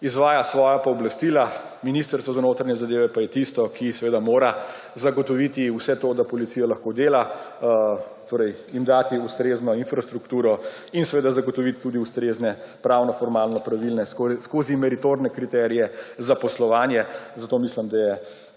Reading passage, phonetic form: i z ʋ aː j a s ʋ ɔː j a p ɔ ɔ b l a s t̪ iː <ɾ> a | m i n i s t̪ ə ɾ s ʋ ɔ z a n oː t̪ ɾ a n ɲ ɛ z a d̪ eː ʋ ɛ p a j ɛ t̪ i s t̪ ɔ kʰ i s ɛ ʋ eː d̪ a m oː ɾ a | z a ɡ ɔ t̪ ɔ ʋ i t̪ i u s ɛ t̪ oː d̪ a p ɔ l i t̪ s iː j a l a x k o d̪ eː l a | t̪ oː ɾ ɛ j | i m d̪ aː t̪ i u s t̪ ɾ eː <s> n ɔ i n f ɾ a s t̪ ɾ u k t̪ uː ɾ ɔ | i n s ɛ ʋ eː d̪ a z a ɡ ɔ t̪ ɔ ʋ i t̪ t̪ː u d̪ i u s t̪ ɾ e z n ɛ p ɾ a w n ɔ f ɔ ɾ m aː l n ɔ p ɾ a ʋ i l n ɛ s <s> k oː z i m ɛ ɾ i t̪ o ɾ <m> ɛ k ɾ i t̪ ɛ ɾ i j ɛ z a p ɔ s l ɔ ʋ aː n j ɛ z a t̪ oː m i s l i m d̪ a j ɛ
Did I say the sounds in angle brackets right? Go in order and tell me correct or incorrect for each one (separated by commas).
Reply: incorrect, incorrect, correct, incorrect